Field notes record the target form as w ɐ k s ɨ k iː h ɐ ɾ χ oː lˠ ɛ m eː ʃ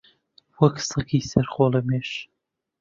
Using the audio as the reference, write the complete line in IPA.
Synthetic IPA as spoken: w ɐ k s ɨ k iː s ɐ ɾ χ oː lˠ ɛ m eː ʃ